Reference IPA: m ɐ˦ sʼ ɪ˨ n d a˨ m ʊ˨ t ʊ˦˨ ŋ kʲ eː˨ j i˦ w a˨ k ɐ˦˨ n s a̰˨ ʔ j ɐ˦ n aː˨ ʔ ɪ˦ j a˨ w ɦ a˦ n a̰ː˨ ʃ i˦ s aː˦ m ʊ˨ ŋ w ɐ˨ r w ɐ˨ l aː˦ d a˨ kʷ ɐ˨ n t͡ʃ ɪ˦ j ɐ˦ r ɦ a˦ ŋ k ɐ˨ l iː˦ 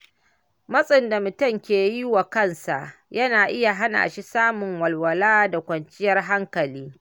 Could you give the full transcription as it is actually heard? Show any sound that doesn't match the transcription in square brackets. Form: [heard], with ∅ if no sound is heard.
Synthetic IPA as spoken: m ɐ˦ sʼ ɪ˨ n d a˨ m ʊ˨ t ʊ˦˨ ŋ kʲ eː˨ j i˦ w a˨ k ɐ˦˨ n s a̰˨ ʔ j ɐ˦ n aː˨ ʔ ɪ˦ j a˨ [∅] ɦ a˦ n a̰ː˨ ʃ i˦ s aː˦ m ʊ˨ ŋ w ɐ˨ [l] w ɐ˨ l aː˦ d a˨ kʷ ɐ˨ n t͡ʃ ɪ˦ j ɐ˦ r ɦ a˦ ŋ k ɐ˨ l iː˦